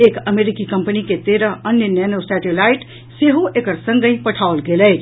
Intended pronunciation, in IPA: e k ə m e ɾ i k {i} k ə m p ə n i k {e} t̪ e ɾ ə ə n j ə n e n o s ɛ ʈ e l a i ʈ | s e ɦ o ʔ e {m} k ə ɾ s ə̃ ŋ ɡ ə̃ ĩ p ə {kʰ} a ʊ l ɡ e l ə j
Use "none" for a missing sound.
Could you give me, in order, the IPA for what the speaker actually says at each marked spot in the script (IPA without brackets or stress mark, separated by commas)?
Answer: i, e, none, ʈʰ